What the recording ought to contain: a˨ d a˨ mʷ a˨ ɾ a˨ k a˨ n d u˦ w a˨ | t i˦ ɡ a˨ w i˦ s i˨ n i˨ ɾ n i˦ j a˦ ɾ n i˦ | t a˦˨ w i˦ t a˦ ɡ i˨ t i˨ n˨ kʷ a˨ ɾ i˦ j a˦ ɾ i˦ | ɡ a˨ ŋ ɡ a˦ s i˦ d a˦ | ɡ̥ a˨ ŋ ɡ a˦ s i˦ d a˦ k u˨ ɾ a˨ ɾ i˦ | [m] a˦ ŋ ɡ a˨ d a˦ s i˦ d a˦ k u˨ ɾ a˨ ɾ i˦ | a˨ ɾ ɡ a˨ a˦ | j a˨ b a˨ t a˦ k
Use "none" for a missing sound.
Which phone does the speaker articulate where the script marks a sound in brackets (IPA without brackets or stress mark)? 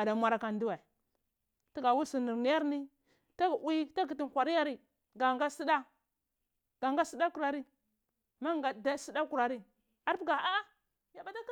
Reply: m